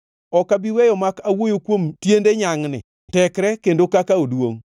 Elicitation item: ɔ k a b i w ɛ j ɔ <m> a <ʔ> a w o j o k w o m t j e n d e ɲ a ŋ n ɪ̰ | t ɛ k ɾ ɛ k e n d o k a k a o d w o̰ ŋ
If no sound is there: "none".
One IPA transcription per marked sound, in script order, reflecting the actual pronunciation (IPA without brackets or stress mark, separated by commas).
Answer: m, k